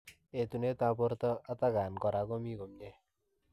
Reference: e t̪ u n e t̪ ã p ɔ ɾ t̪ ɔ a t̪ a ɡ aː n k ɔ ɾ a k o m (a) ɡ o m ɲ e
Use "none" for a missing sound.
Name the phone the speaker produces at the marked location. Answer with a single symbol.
i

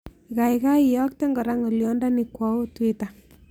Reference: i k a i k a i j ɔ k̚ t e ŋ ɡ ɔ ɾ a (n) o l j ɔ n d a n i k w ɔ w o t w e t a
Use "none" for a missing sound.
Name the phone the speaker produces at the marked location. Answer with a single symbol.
ŋ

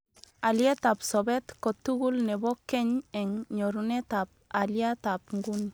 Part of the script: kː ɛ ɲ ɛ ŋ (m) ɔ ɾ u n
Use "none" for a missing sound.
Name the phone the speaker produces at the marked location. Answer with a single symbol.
ɲ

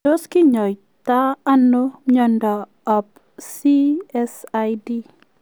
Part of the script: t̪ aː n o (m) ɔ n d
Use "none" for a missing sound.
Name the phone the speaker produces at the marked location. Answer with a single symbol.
ɲ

